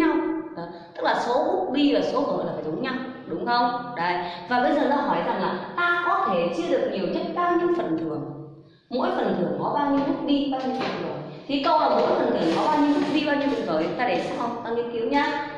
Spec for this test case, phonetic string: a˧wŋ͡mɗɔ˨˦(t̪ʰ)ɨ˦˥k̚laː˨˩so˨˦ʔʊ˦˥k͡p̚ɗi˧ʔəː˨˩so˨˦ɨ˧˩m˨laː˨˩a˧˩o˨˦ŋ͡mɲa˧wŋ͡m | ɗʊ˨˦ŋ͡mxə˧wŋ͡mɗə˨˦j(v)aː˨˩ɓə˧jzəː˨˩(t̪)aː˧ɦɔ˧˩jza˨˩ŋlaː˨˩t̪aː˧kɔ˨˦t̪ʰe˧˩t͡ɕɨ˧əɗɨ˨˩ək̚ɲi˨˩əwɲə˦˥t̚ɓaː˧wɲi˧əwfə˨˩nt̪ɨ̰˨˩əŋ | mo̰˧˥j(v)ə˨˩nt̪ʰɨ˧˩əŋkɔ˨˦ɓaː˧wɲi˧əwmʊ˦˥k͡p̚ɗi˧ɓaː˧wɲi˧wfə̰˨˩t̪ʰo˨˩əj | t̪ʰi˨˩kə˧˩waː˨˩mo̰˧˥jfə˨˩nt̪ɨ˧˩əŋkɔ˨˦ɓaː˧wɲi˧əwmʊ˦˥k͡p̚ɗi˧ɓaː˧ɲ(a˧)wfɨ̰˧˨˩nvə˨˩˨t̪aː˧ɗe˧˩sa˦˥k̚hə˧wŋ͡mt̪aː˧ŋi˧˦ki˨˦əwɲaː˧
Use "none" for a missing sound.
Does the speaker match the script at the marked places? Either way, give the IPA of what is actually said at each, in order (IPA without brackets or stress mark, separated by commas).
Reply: t̪, v, t̪, f, i˧